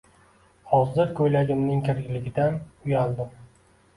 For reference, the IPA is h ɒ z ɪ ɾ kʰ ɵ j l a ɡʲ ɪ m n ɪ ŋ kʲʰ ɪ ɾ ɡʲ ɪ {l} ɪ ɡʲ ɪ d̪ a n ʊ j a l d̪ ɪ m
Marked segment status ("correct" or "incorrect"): correct